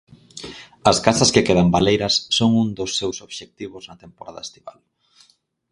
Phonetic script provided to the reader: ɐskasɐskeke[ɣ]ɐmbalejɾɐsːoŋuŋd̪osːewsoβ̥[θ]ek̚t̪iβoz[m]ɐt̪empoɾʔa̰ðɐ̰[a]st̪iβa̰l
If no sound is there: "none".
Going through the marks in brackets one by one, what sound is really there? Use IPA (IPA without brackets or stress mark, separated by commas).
ð, ʃ, n, e